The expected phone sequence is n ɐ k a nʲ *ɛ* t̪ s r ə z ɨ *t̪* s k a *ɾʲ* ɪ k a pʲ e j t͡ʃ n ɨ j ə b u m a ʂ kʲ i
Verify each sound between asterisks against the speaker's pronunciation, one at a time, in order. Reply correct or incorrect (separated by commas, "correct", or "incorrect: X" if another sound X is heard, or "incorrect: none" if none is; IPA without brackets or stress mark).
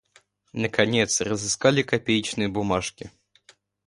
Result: correct, incorrect: none, incorrect: lʲ